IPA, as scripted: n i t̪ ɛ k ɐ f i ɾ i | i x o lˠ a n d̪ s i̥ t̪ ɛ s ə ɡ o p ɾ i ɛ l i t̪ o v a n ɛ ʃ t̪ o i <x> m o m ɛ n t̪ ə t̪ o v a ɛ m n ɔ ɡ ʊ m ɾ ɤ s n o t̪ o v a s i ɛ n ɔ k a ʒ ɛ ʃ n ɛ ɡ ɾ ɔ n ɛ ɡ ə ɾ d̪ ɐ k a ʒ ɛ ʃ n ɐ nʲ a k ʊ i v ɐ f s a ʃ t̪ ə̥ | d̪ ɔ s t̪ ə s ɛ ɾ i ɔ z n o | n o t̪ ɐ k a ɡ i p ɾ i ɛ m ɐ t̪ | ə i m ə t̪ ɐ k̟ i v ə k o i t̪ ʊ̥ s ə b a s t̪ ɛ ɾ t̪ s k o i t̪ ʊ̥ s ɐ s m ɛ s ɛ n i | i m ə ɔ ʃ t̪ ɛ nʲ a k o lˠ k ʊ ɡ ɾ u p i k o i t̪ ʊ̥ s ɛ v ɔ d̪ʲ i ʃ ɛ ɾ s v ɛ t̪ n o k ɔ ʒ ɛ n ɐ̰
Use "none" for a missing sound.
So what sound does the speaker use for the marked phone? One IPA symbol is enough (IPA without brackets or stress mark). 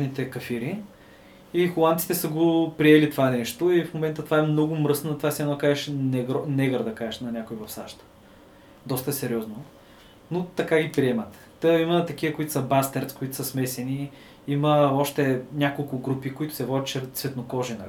f